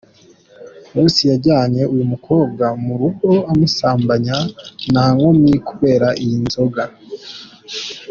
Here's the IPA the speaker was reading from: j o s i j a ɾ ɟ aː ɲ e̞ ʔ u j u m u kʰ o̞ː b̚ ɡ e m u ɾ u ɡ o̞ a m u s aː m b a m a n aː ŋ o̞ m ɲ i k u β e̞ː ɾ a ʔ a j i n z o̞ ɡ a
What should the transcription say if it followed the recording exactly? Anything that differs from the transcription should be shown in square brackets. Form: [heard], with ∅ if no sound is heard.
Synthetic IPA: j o s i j a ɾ ɟ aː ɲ e̞ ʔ u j u m u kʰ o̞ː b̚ ɡ [a] m u ɾ u ɡ o̞ a m u s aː m b a [ɲ] a n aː ŋ o̞ m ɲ i k u β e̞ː ɾ a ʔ [i] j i n z o̞ ɡ a